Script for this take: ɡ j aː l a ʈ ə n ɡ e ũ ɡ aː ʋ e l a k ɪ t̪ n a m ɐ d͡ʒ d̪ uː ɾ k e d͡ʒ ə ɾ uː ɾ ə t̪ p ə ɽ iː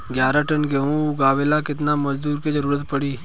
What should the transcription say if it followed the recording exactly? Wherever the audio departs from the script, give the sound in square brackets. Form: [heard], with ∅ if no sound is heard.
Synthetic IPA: ɡ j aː [ɾ] a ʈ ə n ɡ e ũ ɡ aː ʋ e l a k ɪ t̪ n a m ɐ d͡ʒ d̪ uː ɾ k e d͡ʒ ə ɾ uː ɾ ə t̪ p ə ɽ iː